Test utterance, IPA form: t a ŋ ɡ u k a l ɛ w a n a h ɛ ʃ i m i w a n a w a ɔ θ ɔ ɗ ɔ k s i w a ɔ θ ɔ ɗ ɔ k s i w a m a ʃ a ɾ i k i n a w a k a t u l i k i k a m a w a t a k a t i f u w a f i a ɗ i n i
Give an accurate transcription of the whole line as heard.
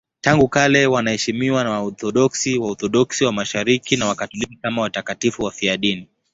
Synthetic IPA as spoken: t a ŋ ɡ u k a l ɛ w a n a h ɛ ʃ i m i w a n a w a ɔ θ ɔ ɗ ɔ k s i w a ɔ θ ɔ ɗ ɔ k s i w a m a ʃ a ɾ i k i n a w a k a t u l i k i k a m a w a t a k a t i f u w a f i a ɗ i n i